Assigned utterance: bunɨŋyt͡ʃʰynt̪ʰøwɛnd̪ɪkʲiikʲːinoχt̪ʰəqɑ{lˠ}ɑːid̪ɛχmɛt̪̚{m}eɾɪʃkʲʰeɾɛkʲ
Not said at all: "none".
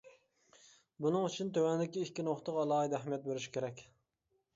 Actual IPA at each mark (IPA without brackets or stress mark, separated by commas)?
lˠ, b